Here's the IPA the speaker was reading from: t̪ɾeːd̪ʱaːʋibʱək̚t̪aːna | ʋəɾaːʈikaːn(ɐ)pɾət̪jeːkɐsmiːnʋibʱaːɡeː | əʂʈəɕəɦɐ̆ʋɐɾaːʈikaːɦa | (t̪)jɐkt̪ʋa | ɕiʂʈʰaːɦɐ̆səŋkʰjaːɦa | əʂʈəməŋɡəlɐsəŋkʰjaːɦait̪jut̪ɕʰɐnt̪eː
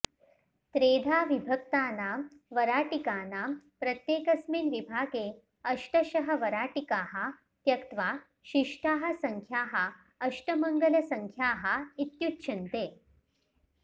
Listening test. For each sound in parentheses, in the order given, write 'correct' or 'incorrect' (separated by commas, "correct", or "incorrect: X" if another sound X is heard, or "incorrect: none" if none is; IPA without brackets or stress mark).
incorrect: a, correct